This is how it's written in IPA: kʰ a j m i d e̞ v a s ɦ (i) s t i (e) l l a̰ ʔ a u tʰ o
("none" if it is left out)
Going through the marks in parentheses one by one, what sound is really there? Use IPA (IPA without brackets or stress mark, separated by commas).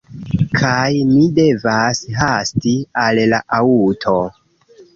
a, a